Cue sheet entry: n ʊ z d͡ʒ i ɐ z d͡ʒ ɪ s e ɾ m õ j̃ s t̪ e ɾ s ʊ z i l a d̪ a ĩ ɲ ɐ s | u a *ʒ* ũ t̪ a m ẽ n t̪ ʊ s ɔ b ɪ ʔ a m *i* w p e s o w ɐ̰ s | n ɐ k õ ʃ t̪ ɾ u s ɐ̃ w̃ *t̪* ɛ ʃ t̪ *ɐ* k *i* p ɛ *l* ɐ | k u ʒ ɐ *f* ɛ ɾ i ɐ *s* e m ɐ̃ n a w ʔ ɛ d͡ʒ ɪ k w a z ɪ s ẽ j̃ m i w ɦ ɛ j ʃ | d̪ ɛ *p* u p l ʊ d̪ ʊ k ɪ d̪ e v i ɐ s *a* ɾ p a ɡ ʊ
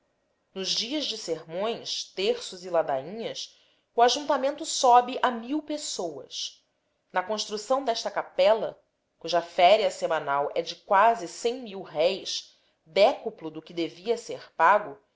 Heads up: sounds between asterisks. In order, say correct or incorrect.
correct, correct, incorrect, correct, incorrect, correct, correct, correct, incorrect, incorrect

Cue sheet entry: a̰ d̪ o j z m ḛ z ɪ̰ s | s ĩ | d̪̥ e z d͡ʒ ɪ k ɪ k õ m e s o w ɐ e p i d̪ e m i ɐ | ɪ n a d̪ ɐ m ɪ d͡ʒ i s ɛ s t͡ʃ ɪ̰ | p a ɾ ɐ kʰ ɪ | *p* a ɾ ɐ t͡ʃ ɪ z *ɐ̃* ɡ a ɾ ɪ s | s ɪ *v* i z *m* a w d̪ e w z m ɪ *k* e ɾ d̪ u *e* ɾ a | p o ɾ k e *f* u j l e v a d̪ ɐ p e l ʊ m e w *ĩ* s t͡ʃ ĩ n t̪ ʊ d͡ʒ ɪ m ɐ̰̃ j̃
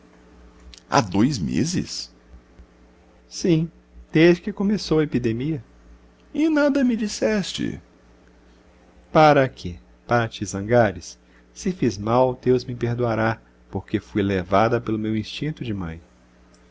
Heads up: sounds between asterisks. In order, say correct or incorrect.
correct, correct, incorrect, correct, incorrect, incorrect, correct, correct

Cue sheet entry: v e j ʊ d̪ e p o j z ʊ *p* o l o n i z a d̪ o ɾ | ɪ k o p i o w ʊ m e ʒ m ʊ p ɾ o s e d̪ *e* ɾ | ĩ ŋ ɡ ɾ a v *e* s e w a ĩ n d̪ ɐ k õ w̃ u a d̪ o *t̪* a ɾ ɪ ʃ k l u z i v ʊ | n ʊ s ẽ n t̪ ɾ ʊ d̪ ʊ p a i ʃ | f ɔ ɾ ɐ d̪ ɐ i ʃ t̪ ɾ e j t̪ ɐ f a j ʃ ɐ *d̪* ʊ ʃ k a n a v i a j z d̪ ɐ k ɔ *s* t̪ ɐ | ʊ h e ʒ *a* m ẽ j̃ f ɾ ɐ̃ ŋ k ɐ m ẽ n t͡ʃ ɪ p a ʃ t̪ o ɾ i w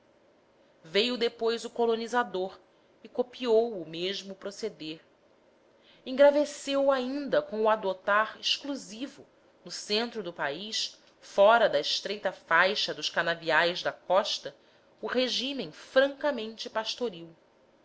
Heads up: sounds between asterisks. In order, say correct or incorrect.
incorrect, correct, correct, correct, correct, incorrect, incorrect

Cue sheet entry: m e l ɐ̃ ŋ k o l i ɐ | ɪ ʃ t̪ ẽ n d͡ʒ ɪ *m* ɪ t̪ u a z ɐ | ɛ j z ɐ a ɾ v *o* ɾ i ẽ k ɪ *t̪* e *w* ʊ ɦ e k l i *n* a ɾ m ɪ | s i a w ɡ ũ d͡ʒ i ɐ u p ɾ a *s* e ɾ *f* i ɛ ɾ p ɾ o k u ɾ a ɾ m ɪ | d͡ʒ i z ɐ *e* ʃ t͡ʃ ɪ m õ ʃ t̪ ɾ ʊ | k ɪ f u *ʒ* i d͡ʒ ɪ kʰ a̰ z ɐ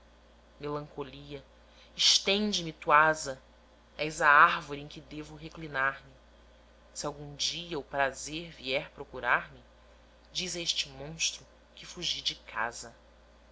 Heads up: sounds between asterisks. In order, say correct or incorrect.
correct, correct, incorrect, incorrect, correct, incorrect, incorrect, correct, correct

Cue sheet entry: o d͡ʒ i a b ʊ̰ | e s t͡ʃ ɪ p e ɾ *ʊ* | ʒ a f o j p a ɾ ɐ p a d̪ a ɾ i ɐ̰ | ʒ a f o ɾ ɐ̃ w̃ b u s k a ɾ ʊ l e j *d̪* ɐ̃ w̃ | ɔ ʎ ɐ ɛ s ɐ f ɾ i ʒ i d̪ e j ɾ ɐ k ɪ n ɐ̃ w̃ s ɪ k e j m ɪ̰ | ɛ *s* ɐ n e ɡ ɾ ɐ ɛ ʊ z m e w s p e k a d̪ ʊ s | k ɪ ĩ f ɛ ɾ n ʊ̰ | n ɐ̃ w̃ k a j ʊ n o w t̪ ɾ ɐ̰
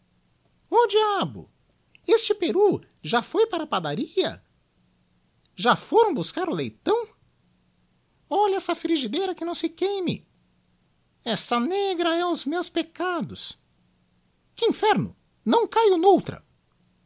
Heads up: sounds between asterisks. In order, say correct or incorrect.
incorrect, incorrect, correct

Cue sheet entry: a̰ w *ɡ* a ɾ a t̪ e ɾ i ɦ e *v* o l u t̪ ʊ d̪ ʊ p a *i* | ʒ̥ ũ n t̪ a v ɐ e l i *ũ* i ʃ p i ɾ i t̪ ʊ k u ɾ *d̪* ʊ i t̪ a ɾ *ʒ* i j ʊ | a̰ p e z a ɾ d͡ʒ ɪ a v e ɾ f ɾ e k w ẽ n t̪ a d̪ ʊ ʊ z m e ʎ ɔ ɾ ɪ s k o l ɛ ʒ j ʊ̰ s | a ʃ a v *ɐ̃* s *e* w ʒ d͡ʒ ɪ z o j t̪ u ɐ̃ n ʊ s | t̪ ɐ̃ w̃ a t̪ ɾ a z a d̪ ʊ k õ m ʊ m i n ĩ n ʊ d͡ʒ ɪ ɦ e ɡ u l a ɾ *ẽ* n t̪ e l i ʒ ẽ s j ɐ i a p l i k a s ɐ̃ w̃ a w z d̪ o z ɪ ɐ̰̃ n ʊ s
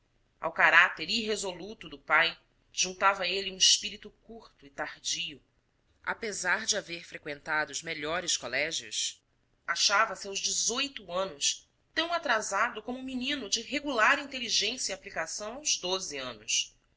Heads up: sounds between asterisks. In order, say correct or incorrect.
incorrect, incorrect, incorrect, correct, incorrect, incorrect, incorrect, incorrect, incorrect

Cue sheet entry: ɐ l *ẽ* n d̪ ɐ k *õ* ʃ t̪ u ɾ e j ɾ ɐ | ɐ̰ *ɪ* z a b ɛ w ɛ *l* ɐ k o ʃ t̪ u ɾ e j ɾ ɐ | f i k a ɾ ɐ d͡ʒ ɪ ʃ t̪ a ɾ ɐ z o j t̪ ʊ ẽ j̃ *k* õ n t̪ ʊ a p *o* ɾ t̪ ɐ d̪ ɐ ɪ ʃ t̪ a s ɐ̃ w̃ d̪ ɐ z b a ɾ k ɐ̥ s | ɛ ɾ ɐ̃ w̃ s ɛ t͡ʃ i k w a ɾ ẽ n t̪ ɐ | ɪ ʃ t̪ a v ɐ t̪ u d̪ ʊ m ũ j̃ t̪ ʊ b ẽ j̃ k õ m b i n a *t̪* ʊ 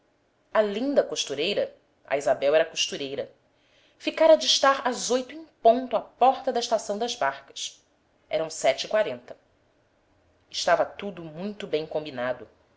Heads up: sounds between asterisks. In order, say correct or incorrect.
incorrect, incorrect, incorrect, incorrect, incorrect, incorrect, incorrect

